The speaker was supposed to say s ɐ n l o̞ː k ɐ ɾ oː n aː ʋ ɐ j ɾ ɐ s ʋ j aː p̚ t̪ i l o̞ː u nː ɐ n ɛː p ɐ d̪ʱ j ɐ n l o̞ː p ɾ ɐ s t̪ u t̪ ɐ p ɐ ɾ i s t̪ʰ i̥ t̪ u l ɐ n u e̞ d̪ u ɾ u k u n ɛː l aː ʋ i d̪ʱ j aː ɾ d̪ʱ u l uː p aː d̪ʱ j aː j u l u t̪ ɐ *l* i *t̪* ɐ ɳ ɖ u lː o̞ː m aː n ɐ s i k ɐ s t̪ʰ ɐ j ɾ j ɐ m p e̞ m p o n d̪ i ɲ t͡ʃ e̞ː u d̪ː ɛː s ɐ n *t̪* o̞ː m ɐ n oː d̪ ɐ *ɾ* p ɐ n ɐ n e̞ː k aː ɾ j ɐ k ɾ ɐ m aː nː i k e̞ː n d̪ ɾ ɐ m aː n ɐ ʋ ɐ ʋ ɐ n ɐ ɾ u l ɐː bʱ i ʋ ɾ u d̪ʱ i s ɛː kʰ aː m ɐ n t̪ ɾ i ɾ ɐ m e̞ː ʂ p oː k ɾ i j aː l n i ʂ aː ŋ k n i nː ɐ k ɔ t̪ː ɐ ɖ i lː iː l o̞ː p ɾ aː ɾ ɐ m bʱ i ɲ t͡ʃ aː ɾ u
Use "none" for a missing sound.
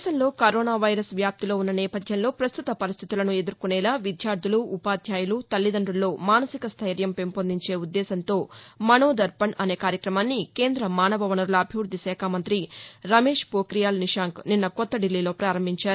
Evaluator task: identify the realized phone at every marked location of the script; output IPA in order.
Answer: lː, d̪, t̪, ɾ

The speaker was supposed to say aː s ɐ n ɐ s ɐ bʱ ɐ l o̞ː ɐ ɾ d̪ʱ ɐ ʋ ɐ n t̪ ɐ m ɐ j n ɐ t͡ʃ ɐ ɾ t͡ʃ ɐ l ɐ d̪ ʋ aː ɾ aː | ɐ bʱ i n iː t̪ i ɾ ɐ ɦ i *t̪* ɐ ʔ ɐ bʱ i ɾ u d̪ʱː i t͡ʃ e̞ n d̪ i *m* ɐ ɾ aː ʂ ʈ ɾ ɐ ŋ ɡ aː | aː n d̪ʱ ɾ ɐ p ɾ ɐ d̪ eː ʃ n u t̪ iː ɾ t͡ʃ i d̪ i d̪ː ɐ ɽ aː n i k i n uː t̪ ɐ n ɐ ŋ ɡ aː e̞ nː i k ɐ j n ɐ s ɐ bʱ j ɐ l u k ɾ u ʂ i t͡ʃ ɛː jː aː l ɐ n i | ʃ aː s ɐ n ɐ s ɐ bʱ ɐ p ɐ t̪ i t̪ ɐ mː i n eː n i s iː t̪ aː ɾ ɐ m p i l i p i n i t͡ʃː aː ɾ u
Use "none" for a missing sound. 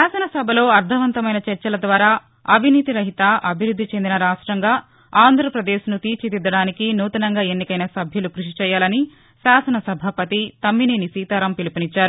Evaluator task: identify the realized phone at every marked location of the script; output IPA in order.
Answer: t̪, n

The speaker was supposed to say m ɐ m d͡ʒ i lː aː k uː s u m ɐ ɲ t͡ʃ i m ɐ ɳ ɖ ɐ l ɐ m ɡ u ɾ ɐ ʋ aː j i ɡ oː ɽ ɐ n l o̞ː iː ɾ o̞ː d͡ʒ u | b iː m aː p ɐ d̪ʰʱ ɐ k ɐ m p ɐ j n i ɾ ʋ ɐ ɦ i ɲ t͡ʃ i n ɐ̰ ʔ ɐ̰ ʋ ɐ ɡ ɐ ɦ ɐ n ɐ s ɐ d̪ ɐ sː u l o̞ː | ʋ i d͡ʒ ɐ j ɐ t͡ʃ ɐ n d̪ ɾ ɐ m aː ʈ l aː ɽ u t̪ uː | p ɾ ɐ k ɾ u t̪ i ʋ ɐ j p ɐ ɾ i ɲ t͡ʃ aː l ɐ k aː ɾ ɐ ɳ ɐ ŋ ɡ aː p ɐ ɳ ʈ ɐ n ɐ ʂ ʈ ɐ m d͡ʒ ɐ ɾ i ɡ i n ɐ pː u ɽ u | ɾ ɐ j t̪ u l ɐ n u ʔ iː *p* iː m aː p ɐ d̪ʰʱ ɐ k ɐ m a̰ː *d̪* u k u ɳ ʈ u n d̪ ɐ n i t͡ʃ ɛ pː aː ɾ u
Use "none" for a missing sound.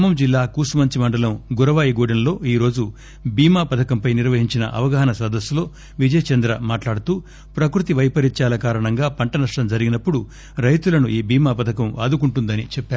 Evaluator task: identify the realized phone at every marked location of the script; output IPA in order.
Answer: b, d̪

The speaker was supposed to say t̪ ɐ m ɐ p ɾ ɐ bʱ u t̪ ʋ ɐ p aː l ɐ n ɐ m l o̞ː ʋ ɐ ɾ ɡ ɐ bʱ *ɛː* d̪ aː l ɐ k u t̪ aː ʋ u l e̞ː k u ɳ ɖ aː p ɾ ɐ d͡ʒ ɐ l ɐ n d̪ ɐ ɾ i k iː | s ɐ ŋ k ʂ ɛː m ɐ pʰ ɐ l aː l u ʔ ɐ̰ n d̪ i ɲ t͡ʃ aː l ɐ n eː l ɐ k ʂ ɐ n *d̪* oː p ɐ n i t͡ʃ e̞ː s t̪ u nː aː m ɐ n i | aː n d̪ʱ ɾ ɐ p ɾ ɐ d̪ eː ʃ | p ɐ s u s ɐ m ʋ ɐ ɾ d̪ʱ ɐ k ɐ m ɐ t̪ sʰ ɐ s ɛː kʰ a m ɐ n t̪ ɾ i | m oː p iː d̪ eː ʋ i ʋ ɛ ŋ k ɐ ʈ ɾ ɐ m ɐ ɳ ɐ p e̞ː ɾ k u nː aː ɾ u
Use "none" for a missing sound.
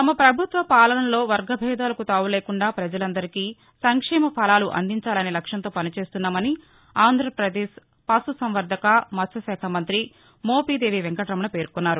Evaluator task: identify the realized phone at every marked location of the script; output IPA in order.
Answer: ɛː, t̪

